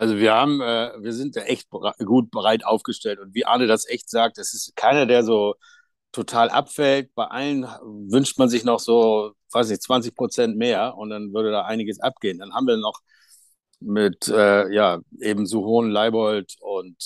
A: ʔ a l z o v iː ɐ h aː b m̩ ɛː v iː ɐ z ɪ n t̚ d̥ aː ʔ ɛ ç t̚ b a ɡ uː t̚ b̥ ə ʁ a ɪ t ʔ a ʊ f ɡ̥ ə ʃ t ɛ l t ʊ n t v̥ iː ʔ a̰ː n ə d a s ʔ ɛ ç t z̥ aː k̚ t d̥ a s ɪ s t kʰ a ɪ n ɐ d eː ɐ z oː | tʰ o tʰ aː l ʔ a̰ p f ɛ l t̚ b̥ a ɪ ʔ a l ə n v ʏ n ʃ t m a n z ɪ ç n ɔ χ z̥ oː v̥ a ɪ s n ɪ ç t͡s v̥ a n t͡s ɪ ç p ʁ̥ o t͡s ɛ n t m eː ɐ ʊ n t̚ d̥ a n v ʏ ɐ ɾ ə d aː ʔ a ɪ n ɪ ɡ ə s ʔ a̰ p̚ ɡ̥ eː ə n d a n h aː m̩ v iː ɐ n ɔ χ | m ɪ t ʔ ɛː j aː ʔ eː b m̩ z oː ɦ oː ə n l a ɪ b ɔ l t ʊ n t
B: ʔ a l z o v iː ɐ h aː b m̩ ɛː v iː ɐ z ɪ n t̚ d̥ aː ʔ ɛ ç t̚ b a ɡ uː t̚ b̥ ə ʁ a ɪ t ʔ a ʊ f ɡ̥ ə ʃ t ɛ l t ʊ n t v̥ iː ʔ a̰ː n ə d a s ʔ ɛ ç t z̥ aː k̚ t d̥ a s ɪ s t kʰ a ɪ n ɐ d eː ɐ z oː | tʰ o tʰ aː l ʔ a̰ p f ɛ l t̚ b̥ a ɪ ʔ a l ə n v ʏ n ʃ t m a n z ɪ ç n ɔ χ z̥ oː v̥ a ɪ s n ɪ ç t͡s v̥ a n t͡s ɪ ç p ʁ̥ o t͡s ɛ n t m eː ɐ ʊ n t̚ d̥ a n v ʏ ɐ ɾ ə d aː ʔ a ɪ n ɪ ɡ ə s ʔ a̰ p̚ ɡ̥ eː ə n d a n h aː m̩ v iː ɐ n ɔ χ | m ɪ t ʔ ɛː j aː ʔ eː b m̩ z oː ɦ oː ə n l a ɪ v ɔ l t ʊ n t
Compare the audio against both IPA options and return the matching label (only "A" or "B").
A